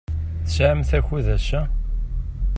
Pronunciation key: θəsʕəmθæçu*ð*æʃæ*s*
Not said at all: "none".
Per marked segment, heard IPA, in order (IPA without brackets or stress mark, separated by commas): ð, none